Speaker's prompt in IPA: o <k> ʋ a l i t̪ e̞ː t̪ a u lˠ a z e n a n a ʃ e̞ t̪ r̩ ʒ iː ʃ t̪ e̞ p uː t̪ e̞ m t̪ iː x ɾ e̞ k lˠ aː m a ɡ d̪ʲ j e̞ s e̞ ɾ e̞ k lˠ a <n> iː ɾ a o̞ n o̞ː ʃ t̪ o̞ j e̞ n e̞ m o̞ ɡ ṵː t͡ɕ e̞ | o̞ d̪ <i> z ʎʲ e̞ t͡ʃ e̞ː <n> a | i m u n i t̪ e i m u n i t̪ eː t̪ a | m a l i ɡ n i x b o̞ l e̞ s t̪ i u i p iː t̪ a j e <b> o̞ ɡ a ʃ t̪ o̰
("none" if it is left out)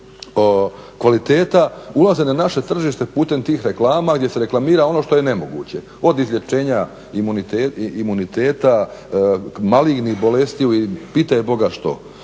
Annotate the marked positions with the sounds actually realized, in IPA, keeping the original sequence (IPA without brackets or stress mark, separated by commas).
k, m, i, ɲ, b